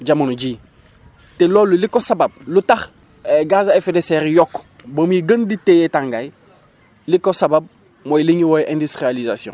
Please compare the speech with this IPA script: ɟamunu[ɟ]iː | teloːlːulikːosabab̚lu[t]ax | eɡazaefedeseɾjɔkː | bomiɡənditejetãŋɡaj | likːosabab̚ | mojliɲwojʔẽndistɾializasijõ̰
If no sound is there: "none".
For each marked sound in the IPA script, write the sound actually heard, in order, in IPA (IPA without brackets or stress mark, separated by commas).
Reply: ɟ, t